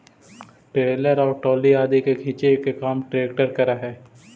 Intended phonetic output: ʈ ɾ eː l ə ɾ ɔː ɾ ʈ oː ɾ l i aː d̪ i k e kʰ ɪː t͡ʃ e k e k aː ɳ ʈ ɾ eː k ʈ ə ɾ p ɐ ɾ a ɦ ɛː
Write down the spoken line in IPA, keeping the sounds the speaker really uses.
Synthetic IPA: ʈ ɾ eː l ə ɾ ɔː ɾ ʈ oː l i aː d̪ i k e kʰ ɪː t͡ʃ e k e k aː m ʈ ɾ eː k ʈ ə ɾ k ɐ ɾ a ɦ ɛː